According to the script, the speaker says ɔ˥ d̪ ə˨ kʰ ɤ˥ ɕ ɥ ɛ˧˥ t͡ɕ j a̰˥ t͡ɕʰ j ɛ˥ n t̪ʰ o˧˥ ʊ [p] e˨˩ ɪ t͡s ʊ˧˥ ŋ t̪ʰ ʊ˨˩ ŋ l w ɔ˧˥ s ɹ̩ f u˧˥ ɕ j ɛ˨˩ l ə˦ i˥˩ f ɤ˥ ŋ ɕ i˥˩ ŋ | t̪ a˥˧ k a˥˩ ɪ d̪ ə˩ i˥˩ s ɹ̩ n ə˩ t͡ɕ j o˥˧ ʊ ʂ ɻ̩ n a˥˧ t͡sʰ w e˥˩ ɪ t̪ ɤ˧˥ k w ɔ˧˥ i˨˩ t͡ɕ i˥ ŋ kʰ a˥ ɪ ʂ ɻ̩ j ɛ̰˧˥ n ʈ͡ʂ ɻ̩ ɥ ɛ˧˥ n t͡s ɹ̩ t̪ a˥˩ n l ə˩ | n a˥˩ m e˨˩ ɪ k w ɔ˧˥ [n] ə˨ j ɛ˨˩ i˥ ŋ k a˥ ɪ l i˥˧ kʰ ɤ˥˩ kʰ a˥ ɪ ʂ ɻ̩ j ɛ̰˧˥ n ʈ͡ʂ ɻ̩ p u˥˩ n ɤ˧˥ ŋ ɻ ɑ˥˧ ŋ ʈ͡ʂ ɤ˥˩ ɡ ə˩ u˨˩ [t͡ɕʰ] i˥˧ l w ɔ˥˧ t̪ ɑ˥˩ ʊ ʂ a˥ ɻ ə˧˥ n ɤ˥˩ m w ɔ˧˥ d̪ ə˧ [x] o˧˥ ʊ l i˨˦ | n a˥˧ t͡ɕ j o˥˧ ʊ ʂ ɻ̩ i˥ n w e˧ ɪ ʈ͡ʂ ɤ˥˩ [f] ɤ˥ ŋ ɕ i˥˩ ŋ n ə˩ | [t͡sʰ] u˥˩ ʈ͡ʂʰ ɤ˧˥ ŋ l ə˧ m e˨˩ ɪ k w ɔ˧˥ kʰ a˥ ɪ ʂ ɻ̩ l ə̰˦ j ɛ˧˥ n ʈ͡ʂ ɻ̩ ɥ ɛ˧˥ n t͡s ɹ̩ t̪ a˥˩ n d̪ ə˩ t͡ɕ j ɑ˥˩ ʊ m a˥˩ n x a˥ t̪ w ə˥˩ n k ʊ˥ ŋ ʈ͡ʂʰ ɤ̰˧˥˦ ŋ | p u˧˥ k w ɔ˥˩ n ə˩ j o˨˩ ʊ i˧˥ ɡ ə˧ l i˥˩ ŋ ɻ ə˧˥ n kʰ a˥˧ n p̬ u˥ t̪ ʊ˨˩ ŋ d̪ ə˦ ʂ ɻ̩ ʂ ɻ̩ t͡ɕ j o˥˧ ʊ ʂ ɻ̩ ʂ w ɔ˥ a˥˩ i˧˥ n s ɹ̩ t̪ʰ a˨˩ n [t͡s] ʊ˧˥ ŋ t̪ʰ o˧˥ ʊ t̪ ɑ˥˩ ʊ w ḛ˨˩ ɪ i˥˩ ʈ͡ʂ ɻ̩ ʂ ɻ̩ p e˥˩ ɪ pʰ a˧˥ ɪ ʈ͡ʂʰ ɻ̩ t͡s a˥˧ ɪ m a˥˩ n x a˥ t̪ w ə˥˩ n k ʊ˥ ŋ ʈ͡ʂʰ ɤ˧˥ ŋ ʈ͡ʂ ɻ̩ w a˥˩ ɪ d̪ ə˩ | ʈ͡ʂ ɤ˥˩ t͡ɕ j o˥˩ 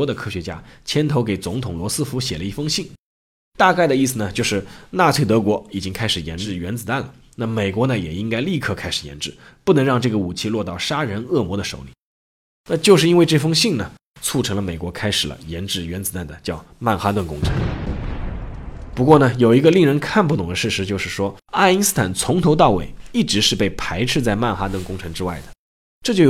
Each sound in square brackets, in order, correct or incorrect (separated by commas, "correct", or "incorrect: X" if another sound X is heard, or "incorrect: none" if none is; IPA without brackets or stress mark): incorrect: k, correct, correct, incorrect: ʂ, correct, correct, incorrect: t͡sʰ